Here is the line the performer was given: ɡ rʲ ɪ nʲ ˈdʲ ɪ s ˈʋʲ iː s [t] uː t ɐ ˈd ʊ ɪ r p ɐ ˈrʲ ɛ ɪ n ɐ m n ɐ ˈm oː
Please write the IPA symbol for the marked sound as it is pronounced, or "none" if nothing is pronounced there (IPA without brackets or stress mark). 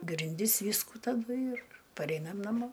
k